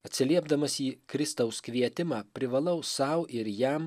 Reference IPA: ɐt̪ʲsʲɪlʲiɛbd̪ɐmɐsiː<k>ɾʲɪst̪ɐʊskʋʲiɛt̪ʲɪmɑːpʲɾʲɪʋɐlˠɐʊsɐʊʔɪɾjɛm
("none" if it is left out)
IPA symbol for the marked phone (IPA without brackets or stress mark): k